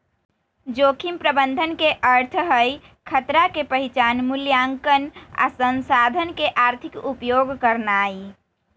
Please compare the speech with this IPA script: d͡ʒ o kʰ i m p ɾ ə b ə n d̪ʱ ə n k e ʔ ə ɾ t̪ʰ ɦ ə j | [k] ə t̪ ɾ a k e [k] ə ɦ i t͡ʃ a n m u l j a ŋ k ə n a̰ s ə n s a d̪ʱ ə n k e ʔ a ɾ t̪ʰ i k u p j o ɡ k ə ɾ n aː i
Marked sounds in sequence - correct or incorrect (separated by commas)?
incorrect, incorrect